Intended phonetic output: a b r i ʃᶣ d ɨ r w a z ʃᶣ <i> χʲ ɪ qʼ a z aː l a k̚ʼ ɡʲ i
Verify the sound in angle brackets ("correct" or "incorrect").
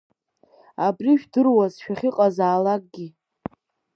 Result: incorrect